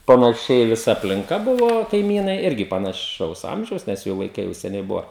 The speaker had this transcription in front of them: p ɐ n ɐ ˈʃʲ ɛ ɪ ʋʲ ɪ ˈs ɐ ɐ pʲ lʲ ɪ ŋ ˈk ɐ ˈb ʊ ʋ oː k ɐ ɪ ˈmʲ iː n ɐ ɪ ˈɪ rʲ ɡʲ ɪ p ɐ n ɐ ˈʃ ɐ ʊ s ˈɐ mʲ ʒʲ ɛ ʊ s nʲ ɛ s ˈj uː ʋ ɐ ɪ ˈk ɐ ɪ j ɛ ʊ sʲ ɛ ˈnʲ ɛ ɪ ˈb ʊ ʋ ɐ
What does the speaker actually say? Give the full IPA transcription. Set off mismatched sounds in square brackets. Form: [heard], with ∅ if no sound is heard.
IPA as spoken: p ɐ n ɐ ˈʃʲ ɛ ɪ ʋʲ ɪ ˈs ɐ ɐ pʲ lʲ ɪ ŋ ˈk ɐ ˈb ʊ ʋ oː k ɐ ɪ ˈmʲ iː n ɐ ɪ ˈɪ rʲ ɡʲ ɪ p ɐ n ɐ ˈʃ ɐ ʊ s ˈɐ mʲ ʒʲ ɛ ʊ s nʲ ɛ s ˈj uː ʋ ɐ ɪ ˈk ɐ ɪ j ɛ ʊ sʲ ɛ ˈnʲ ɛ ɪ ˈb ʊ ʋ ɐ